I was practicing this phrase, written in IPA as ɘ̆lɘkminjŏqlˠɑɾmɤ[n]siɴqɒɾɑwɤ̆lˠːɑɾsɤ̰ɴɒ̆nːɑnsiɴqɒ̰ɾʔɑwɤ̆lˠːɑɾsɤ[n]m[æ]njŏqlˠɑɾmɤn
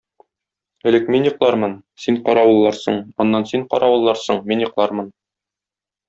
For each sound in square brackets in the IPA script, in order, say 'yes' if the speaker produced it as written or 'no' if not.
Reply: yes, no, no

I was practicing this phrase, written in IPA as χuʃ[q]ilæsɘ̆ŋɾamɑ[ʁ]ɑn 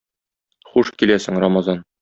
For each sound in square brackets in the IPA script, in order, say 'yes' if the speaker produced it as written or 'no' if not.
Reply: no, no

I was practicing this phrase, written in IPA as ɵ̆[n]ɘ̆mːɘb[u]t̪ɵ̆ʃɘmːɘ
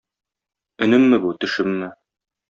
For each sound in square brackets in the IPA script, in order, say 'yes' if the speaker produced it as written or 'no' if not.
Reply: yes, yes

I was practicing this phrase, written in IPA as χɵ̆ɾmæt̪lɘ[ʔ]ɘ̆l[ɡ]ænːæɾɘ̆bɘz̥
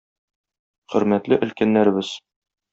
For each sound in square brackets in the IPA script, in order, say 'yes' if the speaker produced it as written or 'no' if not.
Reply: yes, no

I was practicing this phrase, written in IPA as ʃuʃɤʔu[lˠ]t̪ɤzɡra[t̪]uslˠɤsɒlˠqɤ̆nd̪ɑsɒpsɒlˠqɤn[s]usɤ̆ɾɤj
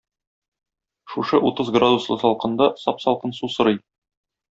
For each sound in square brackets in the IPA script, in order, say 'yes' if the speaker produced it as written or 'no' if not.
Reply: no, no, yes

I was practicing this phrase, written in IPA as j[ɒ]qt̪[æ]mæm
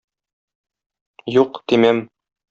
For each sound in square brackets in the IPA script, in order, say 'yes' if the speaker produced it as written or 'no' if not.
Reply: no, no

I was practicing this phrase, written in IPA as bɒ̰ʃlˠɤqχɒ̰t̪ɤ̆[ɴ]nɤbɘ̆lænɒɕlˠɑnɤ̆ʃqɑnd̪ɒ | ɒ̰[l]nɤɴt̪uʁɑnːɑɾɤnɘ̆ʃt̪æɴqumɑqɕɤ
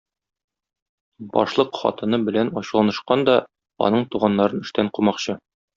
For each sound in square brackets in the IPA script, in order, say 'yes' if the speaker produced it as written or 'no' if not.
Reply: no, no

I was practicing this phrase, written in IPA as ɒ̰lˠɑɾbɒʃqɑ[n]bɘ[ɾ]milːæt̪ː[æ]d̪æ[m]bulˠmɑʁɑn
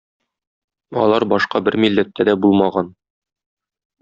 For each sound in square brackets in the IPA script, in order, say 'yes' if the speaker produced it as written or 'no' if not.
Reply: no, yes, yes, no

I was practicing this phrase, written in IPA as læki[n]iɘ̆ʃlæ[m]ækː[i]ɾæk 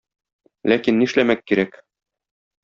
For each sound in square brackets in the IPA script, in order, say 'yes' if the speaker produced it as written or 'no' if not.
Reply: no, yes, yes

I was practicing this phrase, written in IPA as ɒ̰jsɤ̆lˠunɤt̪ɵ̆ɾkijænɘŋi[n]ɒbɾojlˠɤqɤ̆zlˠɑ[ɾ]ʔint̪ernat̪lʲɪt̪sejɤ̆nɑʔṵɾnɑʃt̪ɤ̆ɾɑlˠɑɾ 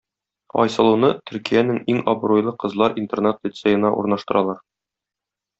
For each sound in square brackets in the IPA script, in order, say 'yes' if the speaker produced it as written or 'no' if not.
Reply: no, yes

